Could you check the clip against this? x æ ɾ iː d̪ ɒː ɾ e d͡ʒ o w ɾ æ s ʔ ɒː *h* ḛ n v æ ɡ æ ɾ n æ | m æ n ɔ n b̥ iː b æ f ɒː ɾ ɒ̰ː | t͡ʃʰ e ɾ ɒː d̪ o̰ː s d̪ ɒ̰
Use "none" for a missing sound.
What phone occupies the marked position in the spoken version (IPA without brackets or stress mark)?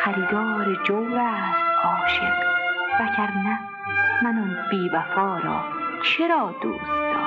ʃ